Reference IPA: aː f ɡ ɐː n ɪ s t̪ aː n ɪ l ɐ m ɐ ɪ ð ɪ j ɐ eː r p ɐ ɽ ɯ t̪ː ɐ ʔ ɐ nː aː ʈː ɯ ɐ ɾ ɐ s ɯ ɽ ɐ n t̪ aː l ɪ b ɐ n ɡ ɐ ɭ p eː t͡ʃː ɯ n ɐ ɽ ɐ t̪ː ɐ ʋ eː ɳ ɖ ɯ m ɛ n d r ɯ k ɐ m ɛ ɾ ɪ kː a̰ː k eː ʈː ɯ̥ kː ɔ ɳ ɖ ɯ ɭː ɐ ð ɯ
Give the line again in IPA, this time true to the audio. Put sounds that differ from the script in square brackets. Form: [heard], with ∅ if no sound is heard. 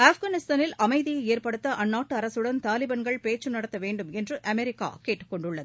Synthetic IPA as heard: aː f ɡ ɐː n ɪ s t̪ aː n ɪ l ɐ m ɐ ɪ ð ɪ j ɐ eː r p ɐ ɽ ɯ t̪ː ɐ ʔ ɐ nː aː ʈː ɯ ɐ ɾ ɐ s ɯ ɽ ɐ n t̪ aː l ɪ b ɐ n ɡ ɐ ɭ p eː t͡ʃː ɯ n ɐ ɽ ɐ t̪ː ɐ ʋ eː ɳ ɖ ɯ m ɛ n d r ɯ [ʔ] ɐ m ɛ ɾ ɪ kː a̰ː k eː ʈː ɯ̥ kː ɔ ɳ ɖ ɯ ɭː ɐ ð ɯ